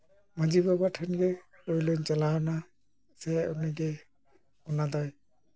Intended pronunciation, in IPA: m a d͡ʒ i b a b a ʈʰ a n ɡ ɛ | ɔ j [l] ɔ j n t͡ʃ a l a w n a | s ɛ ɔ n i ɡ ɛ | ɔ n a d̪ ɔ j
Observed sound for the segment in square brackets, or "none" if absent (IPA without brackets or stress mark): l